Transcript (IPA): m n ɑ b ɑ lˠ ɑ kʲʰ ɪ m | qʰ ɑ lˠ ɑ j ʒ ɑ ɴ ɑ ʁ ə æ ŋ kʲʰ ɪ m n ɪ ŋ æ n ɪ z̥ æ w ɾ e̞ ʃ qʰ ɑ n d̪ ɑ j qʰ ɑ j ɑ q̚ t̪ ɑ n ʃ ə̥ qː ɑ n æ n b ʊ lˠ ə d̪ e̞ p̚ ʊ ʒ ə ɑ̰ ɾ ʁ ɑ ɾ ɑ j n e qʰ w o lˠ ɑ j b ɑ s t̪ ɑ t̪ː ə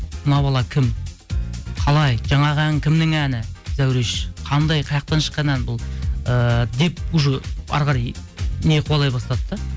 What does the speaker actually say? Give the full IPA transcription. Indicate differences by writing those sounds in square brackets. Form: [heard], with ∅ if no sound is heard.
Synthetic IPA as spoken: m n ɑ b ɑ lˠ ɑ kʲʰ ɪ m | qʰ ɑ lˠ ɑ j ʒ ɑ ɴ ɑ ʁ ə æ ŋ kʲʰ ɪ m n ɪ ŋ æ n ɪ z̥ æ w ɾ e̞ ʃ qʰ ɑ n d̪ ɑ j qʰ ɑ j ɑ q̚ t̪ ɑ n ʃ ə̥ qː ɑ n æ n b ʊ lˠ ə d̪ e̞ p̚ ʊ ʒ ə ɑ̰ ɾ ʁ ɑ ɾ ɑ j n e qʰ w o lˠ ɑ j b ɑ s t̪ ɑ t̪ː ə